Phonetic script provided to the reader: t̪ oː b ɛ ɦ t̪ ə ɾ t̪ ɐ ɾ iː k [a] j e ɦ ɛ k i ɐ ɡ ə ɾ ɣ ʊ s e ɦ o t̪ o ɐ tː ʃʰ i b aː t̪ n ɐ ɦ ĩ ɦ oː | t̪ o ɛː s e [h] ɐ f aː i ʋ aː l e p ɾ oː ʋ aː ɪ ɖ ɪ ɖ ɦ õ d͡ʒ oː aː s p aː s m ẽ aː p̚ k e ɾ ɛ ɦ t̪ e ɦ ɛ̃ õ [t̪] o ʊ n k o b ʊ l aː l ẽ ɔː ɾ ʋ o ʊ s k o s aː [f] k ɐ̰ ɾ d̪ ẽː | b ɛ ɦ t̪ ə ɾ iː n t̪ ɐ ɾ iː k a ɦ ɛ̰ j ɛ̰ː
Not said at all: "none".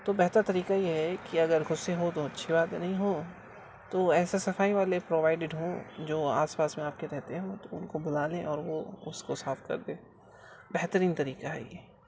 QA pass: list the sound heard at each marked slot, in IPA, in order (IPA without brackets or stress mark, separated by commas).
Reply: a, s, t̪, f